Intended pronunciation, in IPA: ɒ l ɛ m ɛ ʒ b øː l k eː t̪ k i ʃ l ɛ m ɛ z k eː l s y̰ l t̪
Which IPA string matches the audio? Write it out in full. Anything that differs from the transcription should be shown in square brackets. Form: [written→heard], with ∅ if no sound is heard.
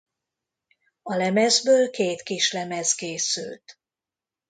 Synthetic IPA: ɒ l ɛ m ɛ [ʒ→z] b øː l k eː t̪ k i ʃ l ɛ m ɛ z k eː [l→∅] s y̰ l t̪